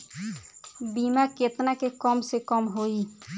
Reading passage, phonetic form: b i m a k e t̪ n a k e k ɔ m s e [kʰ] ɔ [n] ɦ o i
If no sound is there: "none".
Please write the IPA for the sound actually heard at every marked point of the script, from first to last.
k, m

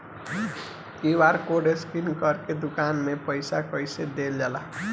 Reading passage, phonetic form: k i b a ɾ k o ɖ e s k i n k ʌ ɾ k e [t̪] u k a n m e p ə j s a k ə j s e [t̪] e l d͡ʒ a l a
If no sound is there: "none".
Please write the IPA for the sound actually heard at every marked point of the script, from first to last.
d̪, d̪

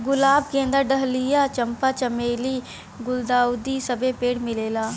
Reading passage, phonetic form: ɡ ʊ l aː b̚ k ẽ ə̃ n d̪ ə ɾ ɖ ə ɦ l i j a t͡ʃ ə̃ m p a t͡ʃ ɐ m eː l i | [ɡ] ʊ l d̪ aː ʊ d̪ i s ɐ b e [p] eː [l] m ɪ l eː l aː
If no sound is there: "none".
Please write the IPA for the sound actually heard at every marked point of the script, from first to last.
ɡ, p, ɽ

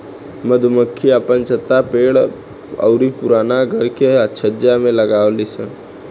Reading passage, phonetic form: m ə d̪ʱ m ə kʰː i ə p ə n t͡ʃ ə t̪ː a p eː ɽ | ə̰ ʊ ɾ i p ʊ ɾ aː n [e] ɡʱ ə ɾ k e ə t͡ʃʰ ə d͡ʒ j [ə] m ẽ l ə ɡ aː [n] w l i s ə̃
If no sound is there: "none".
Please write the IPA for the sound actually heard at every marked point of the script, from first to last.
a, a, none

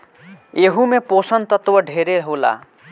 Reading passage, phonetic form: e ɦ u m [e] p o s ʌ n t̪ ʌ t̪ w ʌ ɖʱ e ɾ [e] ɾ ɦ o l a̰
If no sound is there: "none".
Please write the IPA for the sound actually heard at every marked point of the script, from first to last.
e, e

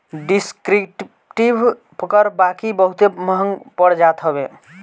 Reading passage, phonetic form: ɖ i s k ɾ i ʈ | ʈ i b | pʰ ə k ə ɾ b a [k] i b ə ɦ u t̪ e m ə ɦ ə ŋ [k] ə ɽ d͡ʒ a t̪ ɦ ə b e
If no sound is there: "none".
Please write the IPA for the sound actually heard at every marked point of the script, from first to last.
k, p

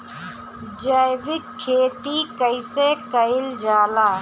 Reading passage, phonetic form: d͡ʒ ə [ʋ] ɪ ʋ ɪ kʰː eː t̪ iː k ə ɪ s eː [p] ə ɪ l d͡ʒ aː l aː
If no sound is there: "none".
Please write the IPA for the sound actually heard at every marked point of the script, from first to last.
none, k

